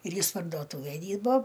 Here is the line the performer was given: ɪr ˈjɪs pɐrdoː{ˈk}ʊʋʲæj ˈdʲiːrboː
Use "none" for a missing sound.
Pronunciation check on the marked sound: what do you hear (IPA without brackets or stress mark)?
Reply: t